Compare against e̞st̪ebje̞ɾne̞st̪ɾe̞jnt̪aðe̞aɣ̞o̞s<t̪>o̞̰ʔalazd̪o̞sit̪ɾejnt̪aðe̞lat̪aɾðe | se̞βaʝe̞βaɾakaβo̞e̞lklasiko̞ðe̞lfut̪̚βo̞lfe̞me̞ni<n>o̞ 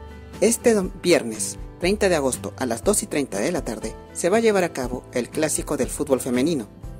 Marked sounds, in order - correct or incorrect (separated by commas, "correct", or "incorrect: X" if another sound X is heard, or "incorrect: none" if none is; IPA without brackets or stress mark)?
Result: correct, correct